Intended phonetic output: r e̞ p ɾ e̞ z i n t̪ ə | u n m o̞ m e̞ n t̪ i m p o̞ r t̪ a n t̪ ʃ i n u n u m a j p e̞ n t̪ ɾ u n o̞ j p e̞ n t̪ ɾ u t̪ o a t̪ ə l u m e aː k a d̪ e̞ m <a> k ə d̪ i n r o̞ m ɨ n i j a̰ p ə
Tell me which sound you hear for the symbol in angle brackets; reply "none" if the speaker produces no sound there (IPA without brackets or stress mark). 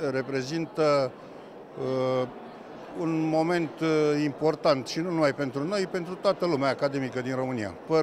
i